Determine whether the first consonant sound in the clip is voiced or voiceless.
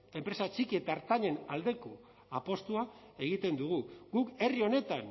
voiced